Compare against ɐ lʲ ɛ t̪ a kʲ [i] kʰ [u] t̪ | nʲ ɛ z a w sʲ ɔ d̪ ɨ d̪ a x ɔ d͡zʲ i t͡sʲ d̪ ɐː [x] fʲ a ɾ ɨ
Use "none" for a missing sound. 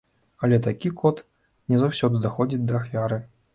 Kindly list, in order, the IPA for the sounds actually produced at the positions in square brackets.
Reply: i, ɔ, x

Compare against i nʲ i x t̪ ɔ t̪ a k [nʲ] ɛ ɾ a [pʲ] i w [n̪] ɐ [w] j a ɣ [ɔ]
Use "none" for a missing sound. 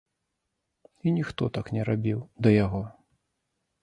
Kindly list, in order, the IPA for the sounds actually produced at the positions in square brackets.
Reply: nʲ, bʲ, d̪, none, ɔ

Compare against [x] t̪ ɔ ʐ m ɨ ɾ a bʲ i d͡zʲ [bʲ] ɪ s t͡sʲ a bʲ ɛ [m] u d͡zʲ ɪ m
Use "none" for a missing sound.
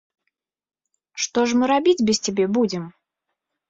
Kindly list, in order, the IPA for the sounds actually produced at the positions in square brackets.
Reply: ʂ, bʲ, b

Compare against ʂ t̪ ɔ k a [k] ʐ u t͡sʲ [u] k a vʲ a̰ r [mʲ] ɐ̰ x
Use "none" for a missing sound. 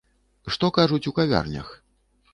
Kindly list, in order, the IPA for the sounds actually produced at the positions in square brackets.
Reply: none, u, nʲ

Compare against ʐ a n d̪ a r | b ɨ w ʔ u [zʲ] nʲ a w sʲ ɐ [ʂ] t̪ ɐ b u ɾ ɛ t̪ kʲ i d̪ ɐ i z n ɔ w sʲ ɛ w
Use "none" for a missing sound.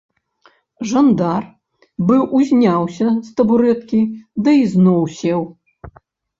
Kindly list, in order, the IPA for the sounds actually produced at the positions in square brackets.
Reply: zʲ, s

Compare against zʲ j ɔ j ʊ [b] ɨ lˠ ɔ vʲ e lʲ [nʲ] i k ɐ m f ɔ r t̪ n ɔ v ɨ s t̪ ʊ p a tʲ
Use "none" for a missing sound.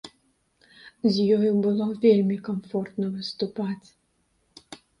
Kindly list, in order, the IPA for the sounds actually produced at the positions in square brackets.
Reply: b, mʲ

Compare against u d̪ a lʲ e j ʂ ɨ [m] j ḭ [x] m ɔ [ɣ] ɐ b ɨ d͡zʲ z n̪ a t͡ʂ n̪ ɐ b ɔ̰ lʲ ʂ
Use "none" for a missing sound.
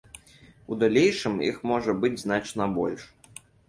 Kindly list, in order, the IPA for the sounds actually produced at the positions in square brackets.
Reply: m, x, ʐ

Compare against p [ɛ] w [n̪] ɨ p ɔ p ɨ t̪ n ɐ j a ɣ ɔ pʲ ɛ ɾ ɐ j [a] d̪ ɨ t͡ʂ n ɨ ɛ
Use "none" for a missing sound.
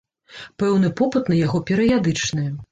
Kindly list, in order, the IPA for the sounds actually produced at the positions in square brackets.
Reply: ɛ, n̪, a

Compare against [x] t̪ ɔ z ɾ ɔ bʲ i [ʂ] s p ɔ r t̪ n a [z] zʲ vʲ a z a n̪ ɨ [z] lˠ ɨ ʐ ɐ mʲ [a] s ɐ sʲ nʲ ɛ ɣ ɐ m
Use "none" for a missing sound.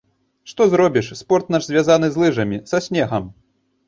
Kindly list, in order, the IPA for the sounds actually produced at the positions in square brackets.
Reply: ʂ, ʂ, ʐ, z, i

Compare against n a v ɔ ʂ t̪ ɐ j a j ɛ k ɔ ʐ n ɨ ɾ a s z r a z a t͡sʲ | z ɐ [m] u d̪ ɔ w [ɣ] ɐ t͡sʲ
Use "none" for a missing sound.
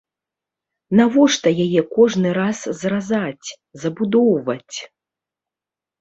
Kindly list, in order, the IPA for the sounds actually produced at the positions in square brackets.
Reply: b, v

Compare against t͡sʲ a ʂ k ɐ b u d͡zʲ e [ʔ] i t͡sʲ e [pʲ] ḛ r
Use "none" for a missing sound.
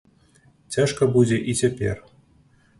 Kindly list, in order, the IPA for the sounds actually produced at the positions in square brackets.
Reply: ʔ, pʲ

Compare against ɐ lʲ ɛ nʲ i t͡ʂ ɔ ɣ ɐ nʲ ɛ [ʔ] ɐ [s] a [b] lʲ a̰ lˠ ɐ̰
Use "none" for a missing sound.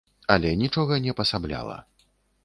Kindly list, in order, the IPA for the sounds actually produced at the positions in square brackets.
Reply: p, s, b

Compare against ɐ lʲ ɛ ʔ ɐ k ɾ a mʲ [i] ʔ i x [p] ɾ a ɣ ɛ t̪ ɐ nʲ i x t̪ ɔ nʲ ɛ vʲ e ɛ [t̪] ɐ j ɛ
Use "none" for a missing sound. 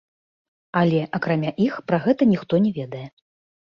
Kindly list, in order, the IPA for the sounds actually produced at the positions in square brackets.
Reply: a, p, d̪

